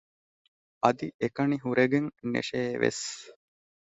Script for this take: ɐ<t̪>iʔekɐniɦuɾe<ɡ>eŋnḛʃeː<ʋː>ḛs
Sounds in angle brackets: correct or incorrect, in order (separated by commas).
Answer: incorrect, correct, incorrect